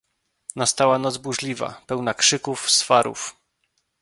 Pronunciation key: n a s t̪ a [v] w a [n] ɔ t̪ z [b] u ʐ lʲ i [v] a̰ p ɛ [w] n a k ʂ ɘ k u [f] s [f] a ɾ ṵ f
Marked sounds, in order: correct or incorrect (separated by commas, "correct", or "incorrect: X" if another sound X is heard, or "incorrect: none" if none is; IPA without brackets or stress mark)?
incorrect: none, correct, correct, correct, correct, correct, correct